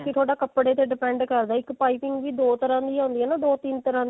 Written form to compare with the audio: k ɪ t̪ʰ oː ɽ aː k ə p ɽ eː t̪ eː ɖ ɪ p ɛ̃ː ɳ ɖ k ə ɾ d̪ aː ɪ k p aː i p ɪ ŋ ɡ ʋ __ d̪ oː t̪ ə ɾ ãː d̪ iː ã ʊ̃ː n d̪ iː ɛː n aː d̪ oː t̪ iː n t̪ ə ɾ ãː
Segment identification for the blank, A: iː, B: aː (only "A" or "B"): A